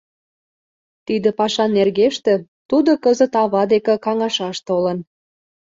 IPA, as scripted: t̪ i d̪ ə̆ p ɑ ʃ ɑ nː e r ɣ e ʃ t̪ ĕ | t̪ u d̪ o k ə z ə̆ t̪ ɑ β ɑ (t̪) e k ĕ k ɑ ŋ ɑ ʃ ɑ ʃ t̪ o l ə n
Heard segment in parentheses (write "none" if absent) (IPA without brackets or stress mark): d̪